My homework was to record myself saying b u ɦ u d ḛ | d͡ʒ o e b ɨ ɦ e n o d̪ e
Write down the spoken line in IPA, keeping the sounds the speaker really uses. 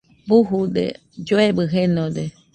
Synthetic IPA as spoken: b u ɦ u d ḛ | d͡ʒ o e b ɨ ɦ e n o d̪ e